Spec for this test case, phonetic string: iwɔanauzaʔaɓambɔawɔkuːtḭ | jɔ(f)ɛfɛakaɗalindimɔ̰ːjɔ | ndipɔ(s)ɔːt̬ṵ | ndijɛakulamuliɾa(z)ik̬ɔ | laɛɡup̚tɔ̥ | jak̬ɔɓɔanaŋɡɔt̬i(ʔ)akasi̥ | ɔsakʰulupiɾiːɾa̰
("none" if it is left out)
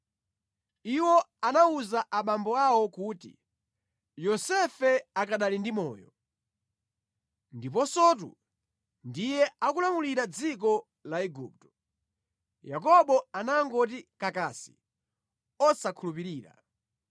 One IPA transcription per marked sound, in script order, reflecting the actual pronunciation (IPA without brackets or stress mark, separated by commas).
s, s, d͡z, k